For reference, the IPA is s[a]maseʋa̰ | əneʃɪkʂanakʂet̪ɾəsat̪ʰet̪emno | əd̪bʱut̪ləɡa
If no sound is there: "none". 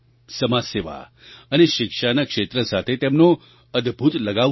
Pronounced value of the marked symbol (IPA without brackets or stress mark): ə